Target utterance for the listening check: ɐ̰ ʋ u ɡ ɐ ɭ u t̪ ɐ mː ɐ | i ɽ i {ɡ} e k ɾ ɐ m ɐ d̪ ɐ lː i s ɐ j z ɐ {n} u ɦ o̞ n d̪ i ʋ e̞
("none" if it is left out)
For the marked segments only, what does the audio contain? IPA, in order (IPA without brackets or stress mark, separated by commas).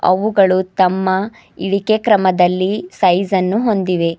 k, nː